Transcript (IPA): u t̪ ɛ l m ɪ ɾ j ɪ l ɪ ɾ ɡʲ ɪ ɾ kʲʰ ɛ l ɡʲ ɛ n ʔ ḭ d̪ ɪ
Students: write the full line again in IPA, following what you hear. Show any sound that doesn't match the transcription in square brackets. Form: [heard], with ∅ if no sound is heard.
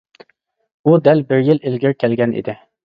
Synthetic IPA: u [d̪] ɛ l [b] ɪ ɾ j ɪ l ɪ [l] ɡʲ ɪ ɾ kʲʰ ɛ l ɡʲ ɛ n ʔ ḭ d̪ ɪ